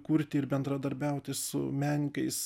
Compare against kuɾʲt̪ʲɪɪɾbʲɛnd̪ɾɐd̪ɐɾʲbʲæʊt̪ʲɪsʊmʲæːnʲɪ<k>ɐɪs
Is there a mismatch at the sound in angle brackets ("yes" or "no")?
no